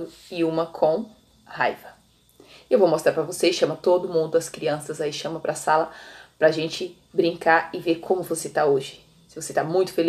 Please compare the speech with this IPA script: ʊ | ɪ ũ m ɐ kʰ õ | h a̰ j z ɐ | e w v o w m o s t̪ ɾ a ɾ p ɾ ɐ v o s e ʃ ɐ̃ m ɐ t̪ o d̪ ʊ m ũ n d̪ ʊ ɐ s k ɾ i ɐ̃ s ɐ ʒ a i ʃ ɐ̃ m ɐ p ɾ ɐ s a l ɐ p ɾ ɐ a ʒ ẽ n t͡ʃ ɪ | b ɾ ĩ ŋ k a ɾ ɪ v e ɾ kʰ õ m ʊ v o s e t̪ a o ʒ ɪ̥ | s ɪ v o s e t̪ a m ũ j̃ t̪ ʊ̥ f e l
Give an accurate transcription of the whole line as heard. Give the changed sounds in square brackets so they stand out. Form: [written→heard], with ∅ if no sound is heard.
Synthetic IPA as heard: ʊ | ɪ ũ m ɐ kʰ õ | h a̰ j [z→v] ɐ | e w v o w m o s t̪ ɾ a ɾ p ɾ ɐ v o s e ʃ ɐ̃ m ɐ t̪ o d̪ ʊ m ũ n d̪ ʊ ɐ s k ɾ i ɐ̃ s ɐ [ʒ→z] a i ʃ ɐ̃ m ɐ p ɾ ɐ s a l ɐ p ɾ ɐ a ʒ ẽ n t͡ʃ ɪ | b ɾ ĩ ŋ k a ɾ ɪ v e ɾ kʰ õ m ʊ v o s e t̪ a o ʒ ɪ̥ | s ɪ v o s e t̪ a m ũ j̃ t̪ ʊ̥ f e l